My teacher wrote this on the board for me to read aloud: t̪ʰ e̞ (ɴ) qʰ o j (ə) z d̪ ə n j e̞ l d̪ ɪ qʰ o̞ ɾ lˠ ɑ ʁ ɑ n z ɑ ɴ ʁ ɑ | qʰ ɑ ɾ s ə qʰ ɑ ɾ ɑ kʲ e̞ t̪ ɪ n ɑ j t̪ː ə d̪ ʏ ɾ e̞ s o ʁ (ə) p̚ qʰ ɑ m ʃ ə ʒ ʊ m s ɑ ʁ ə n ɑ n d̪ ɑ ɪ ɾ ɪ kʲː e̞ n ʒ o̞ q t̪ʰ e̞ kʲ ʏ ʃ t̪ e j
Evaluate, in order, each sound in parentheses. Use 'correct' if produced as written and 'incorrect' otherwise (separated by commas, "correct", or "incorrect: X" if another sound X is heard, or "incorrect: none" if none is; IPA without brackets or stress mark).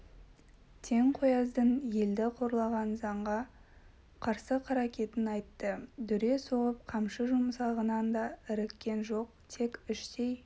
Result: incorrect: ŋ, incorrect: ɑ, correct